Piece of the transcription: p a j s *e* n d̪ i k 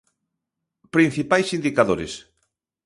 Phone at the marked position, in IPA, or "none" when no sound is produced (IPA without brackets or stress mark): i